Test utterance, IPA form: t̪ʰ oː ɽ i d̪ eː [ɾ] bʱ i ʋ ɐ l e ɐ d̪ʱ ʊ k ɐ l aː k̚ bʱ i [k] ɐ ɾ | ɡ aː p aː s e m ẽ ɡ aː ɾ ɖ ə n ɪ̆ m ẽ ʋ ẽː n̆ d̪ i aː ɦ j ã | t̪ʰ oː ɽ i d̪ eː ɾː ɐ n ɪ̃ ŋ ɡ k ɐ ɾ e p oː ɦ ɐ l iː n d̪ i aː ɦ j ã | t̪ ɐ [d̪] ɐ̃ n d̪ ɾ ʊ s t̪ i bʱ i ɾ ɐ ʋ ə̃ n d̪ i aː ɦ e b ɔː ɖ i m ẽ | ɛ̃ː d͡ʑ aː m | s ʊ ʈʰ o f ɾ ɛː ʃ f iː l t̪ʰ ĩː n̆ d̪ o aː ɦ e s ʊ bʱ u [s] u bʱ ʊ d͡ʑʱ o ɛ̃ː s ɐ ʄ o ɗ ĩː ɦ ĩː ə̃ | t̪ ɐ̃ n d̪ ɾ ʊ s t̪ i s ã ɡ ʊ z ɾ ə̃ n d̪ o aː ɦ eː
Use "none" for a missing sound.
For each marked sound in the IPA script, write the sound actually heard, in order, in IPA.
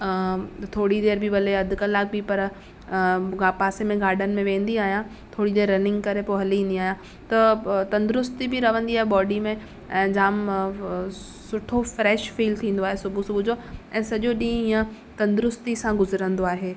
ɾ, p, t̪, s

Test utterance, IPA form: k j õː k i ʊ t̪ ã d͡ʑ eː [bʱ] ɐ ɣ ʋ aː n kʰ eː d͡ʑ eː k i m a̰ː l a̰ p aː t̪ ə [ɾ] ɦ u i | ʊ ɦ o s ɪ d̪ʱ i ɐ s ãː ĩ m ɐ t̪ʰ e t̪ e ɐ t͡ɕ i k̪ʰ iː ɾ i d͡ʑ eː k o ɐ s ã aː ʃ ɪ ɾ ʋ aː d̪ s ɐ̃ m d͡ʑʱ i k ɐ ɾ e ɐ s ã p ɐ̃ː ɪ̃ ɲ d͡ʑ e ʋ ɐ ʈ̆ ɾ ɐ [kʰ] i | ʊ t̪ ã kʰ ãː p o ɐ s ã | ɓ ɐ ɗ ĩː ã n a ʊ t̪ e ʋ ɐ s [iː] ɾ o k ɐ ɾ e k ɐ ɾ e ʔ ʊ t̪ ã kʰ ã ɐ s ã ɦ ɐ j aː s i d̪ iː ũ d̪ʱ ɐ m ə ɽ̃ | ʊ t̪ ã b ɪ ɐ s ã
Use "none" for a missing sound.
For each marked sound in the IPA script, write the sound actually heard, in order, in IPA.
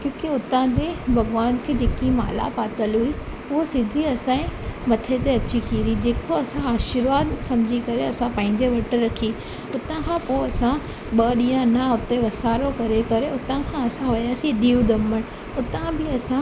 bʱ, l, kʰ, aː

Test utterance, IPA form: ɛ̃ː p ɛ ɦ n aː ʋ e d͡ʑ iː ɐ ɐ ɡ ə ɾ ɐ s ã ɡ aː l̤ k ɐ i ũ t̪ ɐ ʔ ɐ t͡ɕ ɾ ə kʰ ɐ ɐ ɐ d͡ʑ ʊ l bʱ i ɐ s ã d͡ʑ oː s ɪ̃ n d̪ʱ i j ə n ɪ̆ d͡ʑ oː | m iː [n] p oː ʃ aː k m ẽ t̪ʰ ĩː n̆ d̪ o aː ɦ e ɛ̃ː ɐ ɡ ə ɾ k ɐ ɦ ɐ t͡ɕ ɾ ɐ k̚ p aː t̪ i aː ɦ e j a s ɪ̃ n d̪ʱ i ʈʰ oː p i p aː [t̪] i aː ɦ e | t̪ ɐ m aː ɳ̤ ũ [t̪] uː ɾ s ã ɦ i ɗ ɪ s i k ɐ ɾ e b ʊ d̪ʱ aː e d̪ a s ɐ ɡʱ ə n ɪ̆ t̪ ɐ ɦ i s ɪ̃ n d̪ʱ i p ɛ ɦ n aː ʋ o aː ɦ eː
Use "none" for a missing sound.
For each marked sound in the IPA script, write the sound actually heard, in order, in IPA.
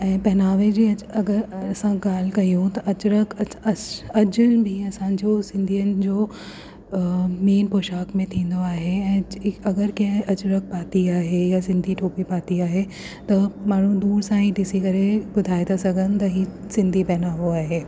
n, t̪, d̪

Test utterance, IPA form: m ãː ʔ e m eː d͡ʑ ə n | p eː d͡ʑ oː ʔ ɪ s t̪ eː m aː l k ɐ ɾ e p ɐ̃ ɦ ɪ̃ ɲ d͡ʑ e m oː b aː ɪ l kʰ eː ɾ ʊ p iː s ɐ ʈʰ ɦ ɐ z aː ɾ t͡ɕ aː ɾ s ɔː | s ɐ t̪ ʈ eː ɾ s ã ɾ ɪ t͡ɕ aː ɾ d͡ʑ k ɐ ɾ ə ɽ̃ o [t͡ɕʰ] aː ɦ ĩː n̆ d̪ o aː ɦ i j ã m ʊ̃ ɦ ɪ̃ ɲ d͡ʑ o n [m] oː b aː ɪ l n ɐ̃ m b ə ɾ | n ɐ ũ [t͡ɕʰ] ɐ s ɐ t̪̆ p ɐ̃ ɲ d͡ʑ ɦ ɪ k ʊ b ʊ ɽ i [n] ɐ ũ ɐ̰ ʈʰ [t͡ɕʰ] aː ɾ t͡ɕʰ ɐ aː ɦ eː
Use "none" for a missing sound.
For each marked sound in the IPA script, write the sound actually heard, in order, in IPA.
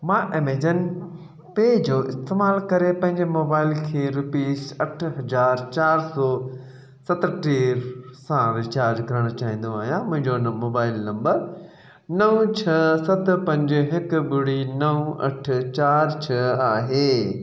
t͡ɕ, m, t͡ɕʰ, n, t͡ɕ

